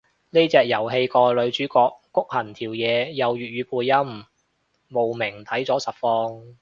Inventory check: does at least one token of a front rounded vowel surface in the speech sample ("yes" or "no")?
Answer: yes